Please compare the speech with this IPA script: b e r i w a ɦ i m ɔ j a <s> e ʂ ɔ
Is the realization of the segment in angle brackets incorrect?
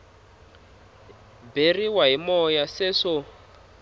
no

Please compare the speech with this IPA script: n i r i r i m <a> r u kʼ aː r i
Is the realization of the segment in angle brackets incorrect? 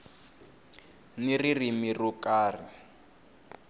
yes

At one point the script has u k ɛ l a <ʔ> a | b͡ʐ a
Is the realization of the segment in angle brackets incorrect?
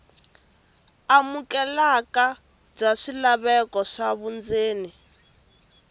yes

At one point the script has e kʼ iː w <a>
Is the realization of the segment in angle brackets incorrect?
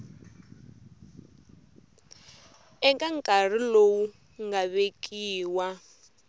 no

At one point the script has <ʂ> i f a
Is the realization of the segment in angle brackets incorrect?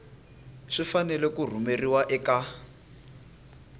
no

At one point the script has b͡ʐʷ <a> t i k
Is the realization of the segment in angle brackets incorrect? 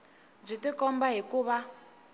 yes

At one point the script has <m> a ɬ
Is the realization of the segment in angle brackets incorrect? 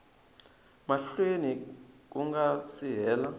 no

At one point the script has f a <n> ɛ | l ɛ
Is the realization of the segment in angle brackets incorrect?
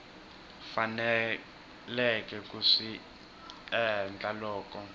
no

